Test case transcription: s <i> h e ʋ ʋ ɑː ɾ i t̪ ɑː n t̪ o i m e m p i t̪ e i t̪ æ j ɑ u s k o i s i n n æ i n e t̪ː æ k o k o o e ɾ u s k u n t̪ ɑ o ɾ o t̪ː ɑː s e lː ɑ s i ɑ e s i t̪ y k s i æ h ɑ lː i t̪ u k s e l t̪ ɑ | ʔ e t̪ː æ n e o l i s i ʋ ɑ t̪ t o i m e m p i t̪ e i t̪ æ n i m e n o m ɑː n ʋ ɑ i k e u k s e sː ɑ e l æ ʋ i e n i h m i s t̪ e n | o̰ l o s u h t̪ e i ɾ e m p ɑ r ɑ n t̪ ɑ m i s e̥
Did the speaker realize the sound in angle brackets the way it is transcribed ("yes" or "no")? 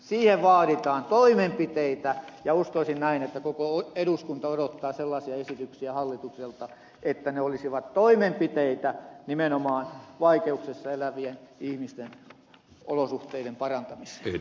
no